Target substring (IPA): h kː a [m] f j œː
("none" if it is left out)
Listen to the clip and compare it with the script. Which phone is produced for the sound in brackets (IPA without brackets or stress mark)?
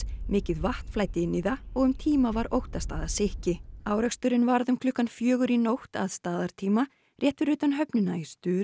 n